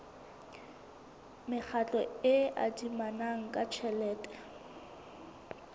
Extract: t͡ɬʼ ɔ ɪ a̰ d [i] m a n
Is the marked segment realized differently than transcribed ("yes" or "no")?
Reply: no